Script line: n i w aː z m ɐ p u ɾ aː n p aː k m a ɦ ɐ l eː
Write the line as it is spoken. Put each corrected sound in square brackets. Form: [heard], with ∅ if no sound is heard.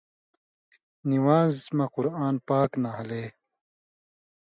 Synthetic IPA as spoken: n i w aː z m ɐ [q] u ɾ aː n p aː k [n] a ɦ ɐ l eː